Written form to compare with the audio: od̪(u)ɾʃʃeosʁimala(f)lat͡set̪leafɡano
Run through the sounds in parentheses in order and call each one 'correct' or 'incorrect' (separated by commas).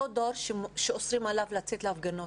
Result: incorrect, incorrect